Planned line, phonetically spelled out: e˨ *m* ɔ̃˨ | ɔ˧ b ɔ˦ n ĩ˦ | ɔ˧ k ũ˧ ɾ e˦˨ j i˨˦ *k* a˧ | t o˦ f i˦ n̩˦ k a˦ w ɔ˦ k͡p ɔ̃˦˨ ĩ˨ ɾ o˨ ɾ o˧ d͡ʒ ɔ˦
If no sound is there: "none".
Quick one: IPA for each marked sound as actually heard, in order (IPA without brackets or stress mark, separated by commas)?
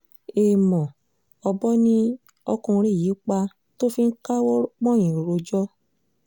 m, k͡p